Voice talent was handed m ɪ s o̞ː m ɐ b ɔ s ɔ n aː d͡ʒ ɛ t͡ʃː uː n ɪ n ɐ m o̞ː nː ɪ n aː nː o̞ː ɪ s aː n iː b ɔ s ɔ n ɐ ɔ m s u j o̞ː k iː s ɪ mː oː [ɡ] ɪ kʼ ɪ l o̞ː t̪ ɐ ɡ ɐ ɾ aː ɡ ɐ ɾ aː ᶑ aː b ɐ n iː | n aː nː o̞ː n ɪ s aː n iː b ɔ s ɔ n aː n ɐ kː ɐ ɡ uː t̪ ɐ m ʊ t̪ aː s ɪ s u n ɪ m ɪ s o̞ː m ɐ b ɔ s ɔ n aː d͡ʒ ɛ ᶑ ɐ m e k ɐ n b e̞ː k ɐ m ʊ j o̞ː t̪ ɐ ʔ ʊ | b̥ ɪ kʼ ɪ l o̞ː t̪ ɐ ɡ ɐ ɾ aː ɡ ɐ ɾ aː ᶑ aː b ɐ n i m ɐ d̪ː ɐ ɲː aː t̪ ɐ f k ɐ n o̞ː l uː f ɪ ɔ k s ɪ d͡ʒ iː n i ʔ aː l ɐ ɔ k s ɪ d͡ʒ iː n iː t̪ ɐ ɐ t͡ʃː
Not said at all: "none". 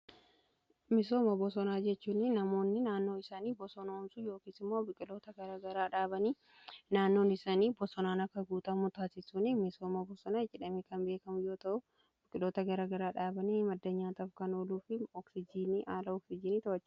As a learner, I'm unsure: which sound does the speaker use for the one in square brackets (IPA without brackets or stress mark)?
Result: b